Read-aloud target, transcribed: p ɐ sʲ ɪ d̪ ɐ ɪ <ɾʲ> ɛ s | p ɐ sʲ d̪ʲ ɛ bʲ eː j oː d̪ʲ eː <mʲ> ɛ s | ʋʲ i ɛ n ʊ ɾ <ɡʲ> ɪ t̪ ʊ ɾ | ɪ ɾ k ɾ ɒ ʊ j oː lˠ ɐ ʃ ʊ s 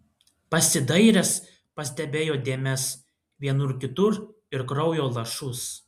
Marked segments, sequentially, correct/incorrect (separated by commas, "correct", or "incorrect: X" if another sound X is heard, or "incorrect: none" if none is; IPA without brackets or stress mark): correct, correct, incorrect: kʲ